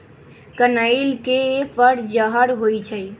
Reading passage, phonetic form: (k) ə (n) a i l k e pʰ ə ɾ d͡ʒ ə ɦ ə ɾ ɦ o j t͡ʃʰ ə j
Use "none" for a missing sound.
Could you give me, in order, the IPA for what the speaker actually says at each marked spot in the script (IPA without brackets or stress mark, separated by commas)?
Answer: k, n